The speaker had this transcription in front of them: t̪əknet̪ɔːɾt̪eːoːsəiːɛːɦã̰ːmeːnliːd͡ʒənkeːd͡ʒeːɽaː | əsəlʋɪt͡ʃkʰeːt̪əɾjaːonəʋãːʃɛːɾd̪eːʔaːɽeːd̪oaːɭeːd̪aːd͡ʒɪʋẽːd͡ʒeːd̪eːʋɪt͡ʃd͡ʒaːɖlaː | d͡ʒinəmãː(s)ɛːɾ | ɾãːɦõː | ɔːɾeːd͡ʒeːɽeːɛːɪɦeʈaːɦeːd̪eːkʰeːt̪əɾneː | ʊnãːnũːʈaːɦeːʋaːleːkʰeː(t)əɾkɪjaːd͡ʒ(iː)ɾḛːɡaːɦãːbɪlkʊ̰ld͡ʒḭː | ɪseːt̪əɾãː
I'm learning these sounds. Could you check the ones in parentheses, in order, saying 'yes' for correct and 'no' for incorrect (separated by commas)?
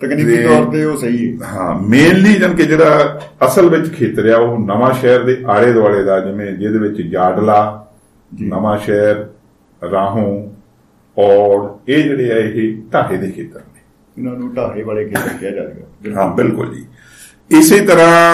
no, yes, no